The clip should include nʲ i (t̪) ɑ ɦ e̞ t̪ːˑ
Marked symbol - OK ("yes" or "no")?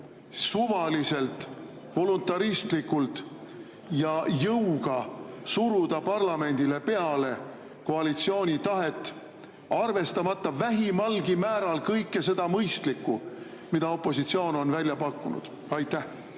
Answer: yes